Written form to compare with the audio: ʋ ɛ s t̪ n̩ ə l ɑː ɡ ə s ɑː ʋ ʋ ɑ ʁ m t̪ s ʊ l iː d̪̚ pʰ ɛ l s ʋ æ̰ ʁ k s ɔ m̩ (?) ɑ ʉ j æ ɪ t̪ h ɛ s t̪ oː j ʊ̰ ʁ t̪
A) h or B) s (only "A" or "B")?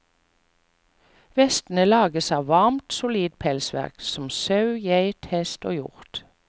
B